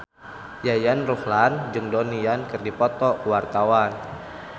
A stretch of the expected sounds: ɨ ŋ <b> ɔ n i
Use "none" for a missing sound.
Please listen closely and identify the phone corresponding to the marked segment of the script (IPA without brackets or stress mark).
d